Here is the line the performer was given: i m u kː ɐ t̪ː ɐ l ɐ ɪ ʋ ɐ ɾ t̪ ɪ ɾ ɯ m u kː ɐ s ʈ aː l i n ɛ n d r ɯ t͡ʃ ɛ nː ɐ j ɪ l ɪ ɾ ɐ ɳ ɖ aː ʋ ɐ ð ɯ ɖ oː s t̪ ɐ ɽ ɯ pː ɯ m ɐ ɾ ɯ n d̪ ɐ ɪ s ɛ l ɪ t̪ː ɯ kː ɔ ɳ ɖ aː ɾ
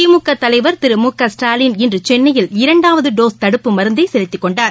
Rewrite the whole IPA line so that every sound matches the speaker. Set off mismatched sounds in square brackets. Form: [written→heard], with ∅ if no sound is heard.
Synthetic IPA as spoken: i m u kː ɐ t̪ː ɐ l ɐ ɪ ʋ ɐ ɾ t̪ ɪ ɾ ɯ m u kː ɐ s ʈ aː l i n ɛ n d r ɯ t͡ʃ ɛ nː ɐ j ɪ l ɪ ɾ ɐ ɳ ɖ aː ʋ ɐ ð ɯ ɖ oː s t̪ ɐ ɽ ɯ pː ɯ m ɐ ɾ ɯ n d̪ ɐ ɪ s ɛ l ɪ t̪ː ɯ kː ɔ ɳ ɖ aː ɾ

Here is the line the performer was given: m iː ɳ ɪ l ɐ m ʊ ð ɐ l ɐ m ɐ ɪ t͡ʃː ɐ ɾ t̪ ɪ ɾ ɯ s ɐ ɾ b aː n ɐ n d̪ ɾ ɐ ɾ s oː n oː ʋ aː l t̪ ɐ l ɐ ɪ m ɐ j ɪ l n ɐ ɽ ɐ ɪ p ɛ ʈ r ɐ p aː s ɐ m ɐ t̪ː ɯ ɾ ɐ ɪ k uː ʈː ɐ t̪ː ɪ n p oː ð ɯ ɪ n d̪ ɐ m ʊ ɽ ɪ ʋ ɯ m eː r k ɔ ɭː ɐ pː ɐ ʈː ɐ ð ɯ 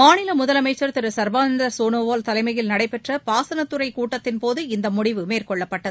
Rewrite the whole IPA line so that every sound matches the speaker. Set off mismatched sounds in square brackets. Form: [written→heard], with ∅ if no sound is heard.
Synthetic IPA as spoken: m [iː→aː] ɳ ɪ l ɐ m ʊ ð ɐ l ɐ m ɐ ɪ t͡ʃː ɐ ɾ t̪ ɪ ɾ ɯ s ɐ ɾ b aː n ɐ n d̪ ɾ ɐ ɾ s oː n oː ʋ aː l t̪ ɐ l ɐ ɪ m ɐ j ɪ l n ɐ ɽ ɐ ɪ p ɛ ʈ r ɐ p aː s ɐ [m→n] ɐ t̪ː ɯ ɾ ɐ ɪ k uː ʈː ɐ t̪ː ɪ n p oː ð ɯ ɪ n d̪ ɐ m ʊ ɽ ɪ ʋ ɯ m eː r k ɔ ɭː ɐ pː ɐ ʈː ɐ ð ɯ

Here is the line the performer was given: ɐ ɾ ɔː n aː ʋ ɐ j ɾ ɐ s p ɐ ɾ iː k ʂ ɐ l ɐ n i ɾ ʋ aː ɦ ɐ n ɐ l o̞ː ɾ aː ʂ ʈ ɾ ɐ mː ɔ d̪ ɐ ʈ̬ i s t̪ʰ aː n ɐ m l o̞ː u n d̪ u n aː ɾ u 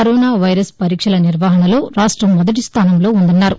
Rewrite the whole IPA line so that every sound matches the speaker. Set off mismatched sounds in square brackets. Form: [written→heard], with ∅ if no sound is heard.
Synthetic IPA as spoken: ɐ ɾ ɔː n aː ʋ ɐ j ɾ ɐ s p ɐ ɾ iː k ʂ ɐ l ɐ n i ɾ ʋ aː ɦ ɐ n ɐ l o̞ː ɾ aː ʂ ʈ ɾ ɐ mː ɔ d̪ ɐ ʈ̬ i s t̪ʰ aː n ɐ m l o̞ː u n d̪ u [n→nː] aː ɾ u

